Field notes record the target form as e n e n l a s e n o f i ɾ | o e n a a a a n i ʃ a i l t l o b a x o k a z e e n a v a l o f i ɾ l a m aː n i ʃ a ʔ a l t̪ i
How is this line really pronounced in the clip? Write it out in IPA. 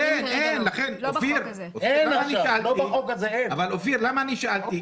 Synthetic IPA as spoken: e n e n l a χ e n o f i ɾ | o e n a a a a n i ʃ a a l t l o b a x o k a z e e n a v a l o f i ɾ l a m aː n i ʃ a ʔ a l t̪ i